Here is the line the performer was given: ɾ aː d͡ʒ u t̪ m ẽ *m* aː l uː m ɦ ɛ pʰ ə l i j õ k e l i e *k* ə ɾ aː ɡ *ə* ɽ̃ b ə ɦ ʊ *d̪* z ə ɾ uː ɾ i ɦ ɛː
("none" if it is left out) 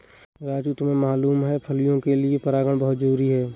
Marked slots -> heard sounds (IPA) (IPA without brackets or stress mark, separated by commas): m, p, ə, t̪